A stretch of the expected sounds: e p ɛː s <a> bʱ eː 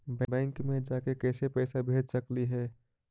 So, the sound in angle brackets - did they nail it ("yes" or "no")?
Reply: yes